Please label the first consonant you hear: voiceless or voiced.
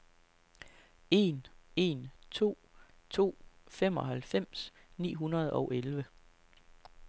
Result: voiced